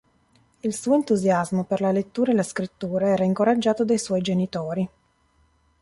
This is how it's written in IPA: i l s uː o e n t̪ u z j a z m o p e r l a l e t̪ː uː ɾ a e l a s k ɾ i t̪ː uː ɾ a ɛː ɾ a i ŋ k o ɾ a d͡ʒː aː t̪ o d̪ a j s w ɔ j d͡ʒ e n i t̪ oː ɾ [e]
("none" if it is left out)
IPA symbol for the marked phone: i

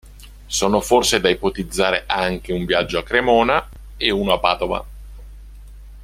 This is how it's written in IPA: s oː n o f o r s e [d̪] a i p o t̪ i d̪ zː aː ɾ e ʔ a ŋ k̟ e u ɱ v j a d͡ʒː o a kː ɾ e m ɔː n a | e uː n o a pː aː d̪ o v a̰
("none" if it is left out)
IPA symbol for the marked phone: d̪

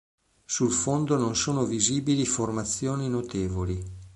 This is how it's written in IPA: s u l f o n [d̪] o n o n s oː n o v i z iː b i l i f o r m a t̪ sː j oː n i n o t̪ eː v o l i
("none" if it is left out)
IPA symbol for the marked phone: d̪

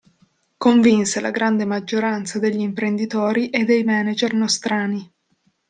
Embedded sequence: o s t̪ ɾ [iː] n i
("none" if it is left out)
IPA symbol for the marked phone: aː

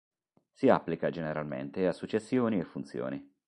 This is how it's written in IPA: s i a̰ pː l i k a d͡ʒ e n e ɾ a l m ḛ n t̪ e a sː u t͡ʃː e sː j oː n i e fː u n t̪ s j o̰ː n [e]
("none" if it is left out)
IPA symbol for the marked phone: i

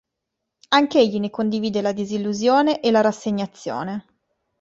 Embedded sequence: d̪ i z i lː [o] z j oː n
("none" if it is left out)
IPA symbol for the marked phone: u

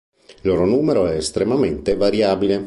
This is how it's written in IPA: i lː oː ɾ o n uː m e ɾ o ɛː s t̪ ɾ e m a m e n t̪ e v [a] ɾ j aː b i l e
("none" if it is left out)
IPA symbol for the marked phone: a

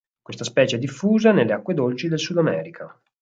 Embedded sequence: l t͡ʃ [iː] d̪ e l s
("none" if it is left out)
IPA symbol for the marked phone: i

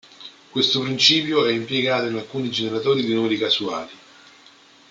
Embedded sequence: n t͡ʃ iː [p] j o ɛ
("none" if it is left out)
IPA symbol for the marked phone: p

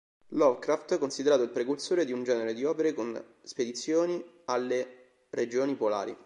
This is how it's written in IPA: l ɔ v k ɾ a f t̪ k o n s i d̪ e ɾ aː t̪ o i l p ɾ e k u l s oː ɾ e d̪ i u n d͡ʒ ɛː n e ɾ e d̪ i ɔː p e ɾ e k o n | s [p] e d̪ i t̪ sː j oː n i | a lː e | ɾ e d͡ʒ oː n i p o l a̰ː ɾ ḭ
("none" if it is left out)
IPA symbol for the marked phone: p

